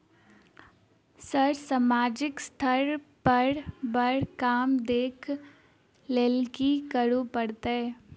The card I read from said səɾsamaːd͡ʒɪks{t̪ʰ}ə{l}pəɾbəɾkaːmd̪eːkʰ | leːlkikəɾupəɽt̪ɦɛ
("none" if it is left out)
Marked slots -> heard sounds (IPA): t̪ʰ, ɾ

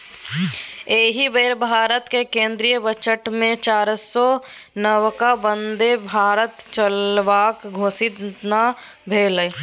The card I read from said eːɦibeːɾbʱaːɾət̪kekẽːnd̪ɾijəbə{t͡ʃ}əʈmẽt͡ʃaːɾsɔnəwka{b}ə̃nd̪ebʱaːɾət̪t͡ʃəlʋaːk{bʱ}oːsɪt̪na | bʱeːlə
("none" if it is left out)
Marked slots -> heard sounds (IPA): t͡ʃ, b, ɡʱ

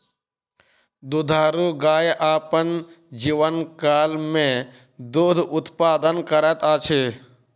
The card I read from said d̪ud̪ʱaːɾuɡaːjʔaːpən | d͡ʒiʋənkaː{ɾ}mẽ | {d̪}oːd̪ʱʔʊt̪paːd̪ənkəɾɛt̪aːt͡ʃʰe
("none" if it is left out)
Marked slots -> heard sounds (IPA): l, d̪

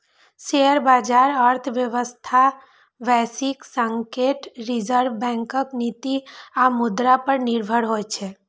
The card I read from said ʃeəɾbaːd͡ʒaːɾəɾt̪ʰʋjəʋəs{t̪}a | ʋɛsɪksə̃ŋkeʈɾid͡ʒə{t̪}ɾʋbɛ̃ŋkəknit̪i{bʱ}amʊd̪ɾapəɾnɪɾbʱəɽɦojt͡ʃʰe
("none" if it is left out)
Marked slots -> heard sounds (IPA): t̪ʰ, none, none

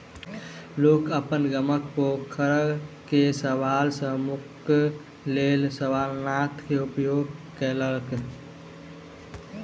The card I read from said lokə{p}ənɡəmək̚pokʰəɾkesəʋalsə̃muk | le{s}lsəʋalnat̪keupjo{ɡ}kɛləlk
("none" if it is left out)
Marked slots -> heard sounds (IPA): p, none, ɡ

